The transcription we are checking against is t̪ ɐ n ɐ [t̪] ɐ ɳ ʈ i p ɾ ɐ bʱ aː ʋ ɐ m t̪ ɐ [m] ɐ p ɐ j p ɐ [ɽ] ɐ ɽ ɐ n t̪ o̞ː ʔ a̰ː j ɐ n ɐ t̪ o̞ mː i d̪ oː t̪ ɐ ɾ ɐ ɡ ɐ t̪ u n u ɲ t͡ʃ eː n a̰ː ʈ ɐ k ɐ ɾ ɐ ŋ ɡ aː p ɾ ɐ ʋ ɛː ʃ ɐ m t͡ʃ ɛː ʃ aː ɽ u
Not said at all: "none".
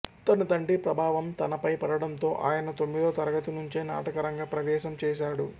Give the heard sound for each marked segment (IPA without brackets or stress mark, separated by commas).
t̪, n, ɽ